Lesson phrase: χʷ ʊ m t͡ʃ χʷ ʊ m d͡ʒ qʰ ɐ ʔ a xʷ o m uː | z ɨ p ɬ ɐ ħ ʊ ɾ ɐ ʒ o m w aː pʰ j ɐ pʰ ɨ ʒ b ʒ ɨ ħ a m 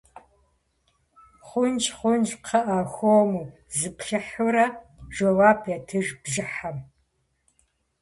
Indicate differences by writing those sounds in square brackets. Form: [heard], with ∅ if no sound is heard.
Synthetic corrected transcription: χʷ ʊ [n] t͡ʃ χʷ ʊ [n] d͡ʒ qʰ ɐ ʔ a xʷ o m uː | z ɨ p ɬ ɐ ħ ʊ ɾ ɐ ʒ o [∅] w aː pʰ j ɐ [tʰ] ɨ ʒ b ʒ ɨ ħ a m